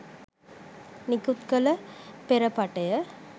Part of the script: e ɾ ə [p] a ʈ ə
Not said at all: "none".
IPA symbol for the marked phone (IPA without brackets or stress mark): p